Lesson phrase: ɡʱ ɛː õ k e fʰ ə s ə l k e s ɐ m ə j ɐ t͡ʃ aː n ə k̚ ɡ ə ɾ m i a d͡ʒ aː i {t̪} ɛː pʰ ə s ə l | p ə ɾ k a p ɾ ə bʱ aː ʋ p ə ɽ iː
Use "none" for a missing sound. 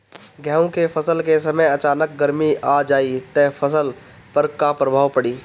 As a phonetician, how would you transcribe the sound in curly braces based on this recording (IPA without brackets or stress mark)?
t̪